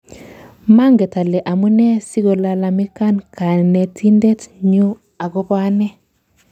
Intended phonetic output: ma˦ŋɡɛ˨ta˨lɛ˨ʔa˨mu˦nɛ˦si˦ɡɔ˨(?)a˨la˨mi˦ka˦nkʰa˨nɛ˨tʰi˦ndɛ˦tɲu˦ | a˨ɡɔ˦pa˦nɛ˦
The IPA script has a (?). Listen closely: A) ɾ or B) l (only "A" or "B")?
B